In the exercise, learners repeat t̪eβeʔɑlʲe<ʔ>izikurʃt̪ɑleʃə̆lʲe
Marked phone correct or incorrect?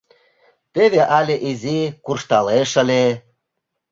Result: correct